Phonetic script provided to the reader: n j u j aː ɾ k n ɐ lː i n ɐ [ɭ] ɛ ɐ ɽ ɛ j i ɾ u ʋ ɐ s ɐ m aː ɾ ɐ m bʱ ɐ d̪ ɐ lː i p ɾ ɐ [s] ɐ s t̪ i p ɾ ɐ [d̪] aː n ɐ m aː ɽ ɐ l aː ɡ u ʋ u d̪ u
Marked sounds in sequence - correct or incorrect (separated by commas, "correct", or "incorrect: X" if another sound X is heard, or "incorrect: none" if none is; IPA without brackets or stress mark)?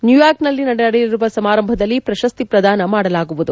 incorrect: ɽ, incorrect: ʃ, correct